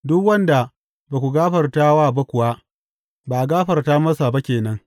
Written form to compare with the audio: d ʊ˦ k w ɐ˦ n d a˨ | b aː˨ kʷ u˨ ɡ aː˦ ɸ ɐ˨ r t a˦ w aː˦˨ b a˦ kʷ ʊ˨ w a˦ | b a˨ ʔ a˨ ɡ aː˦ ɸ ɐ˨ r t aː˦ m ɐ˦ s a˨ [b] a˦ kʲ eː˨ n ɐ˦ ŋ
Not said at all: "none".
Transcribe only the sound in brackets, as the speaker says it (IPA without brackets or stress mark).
b